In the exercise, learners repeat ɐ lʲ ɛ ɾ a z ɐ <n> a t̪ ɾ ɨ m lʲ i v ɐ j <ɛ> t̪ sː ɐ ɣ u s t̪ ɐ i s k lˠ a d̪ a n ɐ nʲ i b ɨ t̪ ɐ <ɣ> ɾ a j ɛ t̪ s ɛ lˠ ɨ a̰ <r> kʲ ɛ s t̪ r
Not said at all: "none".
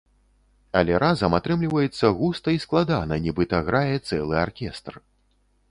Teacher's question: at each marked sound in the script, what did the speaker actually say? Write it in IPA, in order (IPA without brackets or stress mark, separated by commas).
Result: m, ɛ, ɣ, r